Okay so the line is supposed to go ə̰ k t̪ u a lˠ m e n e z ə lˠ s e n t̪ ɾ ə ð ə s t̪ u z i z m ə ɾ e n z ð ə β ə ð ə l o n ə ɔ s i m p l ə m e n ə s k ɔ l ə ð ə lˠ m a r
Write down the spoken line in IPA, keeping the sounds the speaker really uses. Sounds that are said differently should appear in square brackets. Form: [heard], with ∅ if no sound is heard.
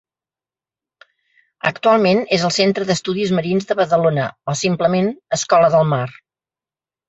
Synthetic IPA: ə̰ k t̪ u a lˠ m e n e z ə lˠ s e n t̪ ɾ ə ð ə s t̪ u [ð] i z m ə ɾ [i] n z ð ə β ə ð ə l o n ə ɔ s i m p l ə m e n ə s k ɔ l ə ð ə lˠ m a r

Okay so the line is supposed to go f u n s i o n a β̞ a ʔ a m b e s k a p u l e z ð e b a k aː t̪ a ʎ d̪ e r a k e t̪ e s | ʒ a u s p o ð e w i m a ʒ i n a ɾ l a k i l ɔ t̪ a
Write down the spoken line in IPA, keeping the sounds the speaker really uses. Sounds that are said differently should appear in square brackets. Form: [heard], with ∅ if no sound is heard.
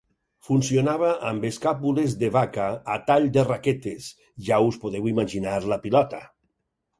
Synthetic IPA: f u n s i o n a β̞ a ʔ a m b e s k a p u l e z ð e [β] a k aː t̪ a ʎ d̪ e r a k e t̪ e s | ʒ a u s p o ð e w i m a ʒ i n a ɾ l a [p] i l ɔ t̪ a

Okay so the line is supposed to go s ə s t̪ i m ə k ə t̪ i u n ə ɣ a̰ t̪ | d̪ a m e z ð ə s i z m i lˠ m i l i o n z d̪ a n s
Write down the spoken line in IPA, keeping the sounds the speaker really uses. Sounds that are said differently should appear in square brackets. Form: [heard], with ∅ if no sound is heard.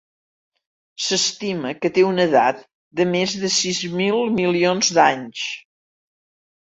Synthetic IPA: s ə s t̪ i m ə k ə t̪ [e] u n ə [ð] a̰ t̪ | d̪ [ə] m e z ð ə s i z m i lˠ m i l i o n z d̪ a [ɲ] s

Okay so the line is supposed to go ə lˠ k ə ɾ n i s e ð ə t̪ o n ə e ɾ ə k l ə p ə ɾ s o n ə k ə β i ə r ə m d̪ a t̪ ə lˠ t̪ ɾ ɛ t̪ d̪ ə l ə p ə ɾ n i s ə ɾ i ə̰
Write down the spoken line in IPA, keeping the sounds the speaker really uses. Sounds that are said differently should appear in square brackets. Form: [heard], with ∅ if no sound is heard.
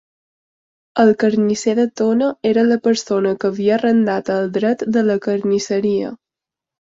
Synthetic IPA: ə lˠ k ə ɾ n i s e ð ə t̪ o n ə e ɾ ə [∅] l ə p ə ɾ s o n ə k ə β i ə r ə [n] d̪ a t̪ ə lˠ [d̪] ɾ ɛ t̪ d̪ ə l ə [k] ə ɾ n i s ə ɾ i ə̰

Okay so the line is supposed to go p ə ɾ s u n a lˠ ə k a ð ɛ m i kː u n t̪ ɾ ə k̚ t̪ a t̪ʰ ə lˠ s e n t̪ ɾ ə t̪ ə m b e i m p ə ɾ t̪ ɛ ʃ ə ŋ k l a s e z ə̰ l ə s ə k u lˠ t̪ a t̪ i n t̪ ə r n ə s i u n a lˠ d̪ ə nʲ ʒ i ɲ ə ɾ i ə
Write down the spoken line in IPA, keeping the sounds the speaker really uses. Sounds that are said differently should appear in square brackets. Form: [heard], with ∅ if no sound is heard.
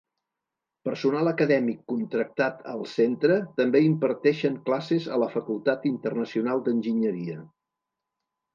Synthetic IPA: p ə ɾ s u n a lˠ ə k [ə] ð ɛ m i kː u n t̪ ɾ ə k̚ t̪ a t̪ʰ ə lˠ s e n t̪ ɾ ə t̪ ə m b e i m p ə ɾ t̪ ɛ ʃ ə ŋ k l a s e z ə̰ l ə [f] ə k u lˠ t̪ a t̪ i n t̪ ə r n ə s i u n a lˠ d̪ ə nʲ ʒ i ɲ ə ɾ i ə

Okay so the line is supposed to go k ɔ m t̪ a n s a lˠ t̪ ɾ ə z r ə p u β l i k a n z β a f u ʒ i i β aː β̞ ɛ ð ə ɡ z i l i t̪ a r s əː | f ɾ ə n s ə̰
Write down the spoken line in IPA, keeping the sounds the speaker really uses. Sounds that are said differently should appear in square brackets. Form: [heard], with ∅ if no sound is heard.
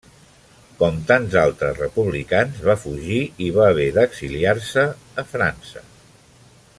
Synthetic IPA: k ɔ m t̪ a n [z] a lˠ t̪ ɾ ə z r ə p u β l i k a n z β a f u ʒ i i β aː β̞ ɛ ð ə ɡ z i l i [∅] a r s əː | f ɾ [a] n s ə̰

